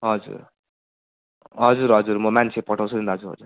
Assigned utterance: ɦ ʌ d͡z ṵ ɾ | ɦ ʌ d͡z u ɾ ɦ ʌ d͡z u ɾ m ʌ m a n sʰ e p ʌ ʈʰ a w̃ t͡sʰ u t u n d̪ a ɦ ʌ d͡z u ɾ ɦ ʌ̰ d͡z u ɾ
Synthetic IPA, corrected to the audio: ɦ ʌ d͡z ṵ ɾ | ɦ ʌ d͡z u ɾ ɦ ʌ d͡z u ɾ m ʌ m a n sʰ e p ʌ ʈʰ a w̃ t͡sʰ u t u n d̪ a ɦ ʌ d͡z u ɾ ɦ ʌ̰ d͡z u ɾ

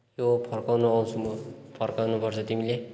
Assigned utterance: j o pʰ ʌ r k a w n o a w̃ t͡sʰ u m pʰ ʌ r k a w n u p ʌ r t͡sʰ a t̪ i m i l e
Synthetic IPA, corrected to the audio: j o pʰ ʌ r k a w n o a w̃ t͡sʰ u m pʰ ʌ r k a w n u p ʌ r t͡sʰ ʌ t̪ i m i l e

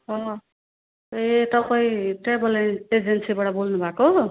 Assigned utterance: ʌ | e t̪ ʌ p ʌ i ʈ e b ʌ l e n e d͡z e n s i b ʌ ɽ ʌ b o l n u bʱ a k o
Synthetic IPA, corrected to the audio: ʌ | e t̪ ʌ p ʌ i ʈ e b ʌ l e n e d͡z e n s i b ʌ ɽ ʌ b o l n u bʱ a k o

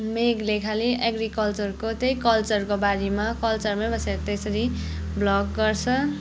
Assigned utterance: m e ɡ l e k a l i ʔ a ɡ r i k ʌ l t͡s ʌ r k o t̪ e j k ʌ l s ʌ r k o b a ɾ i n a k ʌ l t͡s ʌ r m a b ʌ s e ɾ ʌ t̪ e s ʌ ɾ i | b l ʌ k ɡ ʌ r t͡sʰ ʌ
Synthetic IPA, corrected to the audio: m e ɡ l e kʰ a l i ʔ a ɡ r i k ʌ l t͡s ʌ r k o t̪ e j k ʌ l t͡s ʌ r k o b a ɾ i m a k ʌ l t͡s ʌ r m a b ʌ s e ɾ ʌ t̪ e s ʌ ɾ i | b l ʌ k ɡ ʌ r t͡sʰ ʌ

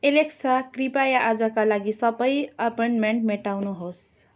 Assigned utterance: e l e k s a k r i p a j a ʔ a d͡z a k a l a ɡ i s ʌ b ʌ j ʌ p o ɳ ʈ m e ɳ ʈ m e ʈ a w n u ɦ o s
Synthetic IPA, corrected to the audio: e l e k s a k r i p a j a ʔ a d͡z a k a l a ɡ i s ʌ b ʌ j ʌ p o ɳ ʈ m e ɳ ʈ m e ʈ a w n u ɦ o s

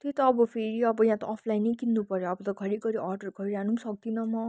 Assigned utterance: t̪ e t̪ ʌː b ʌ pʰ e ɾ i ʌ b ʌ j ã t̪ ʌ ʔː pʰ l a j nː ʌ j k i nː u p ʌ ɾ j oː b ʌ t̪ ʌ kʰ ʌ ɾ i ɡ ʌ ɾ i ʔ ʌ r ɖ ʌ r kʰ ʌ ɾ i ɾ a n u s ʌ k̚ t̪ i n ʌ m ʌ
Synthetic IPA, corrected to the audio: t̪ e t̪ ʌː b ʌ pʰ e ɾ i ʌ b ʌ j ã t̪ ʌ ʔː pʰ l a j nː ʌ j k i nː u p ʌ ɾ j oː b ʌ t̪ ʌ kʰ ʌ ɾ i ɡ ʌ ɾ i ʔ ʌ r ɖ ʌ r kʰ ʌ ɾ i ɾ a n u s ʌ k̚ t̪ i n ʌ m ʌ

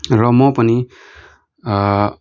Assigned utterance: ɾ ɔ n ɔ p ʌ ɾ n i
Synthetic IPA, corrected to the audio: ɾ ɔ m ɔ p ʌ n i

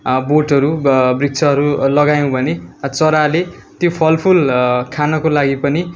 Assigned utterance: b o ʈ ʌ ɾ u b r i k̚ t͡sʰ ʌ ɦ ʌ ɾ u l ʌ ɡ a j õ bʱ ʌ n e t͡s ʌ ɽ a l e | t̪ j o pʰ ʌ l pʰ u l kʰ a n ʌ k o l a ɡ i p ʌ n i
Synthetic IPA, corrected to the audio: b o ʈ ʌ ɾ u b r i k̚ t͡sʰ ʌ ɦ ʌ ɾ u l ʌ ɡ a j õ bʱ ʌ n e t͡s ʌ ɾ a l e | t̪ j o pʰ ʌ l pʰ u l kʰ a n ʌ k o l a ɡ i p ʌ n i

